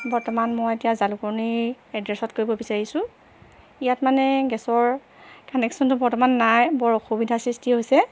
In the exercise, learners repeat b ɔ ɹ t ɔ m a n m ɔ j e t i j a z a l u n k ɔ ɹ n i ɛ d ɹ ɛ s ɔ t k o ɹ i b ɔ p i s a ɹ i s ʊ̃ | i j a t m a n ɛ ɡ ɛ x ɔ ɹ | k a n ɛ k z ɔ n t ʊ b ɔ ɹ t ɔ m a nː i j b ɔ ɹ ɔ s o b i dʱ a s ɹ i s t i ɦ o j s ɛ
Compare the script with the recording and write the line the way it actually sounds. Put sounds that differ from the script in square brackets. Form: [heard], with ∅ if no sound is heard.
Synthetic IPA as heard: b ɔ ɹ t ɔ m a n m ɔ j e t i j a z a l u [∅] k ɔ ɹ n i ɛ d ɹ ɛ s ɔ t k o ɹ i b ɔ [b] i s a ɹ i s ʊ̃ | i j a t m a n ɛ ɡ ɛ [s] ɔ ɹ | k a n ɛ k [s] ɔ n t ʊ b ɔ ɹ t ɔ m a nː [a] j b ɔ ɹ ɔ [x] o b i dʱ a s ɹ i s t i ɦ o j s ɛ